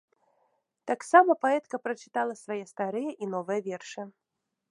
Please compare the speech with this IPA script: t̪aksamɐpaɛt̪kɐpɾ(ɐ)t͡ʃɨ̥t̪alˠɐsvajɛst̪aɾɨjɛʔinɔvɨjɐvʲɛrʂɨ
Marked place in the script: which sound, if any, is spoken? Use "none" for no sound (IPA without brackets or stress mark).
ɐ